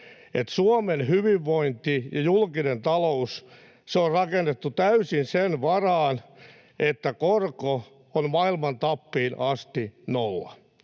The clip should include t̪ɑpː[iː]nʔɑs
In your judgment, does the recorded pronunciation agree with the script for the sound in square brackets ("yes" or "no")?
yes